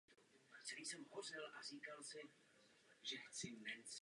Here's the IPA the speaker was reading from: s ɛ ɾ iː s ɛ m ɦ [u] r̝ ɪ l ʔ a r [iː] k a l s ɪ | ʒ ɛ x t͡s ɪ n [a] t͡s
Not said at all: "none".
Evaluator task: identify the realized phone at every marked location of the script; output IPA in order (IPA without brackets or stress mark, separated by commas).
o, iː, ɛ